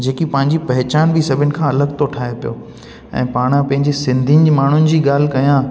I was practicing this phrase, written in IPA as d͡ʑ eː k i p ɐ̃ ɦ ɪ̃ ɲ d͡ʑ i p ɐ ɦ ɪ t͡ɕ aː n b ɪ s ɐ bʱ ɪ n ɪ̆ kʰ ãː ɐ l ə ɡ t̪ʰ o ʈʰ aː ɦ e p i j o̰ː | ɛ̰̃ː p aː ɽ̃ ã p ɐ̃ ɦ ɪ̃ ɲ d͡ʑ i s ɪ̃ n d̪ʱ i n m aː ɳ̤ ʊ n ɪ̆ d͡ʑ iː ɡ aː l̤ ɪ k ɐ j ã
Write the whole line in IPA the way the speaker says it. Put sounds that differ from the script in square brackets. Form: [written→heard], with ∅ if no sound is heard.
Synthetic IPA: d͡ʑ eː k i p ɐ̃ ɦ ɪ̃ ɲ d͡ʑ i p ɐ ɦ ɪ t͡ɕ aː n b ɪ s ɐ bʱ ɪ n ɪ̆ kʰ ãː ɐ l ə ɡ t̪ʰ o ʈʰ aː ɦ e p i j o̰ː | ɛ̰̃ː p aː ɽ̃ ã p ɐ̃ ɦ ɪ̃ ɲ d͡ʑ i s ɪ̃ n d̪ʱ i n m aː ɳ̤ ʊ n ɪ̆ d͡ʑ iː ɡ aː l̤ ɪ k ɐ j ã